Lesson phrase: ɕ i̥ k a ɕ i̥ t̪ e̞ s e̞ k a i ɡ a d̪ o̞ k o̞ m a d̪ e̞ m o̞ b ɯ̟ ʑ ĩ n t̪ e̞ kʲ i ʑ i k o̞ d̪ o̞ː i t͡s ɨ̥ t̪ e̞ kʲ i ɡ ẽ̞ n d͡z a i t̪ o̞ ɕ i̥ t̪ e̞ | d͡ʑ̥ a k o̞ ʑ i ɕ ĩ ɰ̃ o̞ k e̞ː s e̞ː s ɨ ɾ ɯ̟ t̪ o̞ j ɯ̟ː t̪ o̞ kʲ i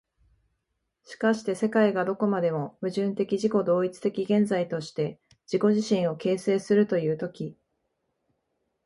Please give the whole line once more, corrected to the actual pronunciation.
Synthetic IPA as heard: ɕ i̥ k a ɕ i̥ t̪ e̞ s e̞ k a i ɡ a d̪ o̞ k o̞ m a d̪ e̞ m o̞ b ɯ̟ ʑ ɨ̃ n t̪ e̞ kʲ i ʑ i k o̞ d̪ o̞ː i t͡s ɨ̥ t̪ e̞ kʲ i ɡ ẽ̞ n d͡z a i t̪ o̞ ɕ i̥ t̪ e̞ | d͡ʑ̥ i k o̞ ʑ i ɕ ĩ ɰ̃ o̞ k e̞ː s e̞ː s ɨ ɾ ɯ̟ t̪ o̞ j ɯ̟ː t̪ o̞ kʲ i

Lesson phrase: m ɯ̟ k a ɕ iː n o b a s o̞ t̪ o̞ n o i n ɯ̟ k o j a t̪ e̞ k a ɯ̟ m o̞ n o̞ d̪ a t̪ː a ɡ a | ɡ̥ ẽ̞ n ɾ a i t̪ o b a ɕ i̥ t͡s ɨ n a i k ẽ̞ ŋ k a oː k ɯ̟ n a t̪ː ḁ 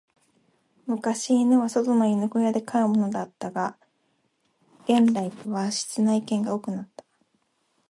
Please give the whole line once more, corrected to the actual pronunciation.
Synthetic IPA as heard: m ɯ̟ k a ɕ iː n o β a s o̞ t̪ o̞ n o i n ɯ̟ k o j a d̪ e̞ k a ɯ̟ m o̞ n o̞ d̪ a t̪ː a ɡ a | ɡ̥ ẽ̞ n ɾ a i t̪ o β a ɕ i̥ t͡s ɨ n a i k ẽ̞ ŋ ɡ a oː k ɯ̟ n a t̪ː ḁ

